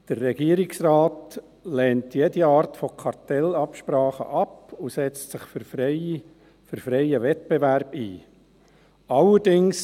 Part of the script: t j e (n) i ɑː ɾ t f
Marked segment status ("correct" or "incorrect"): incorrect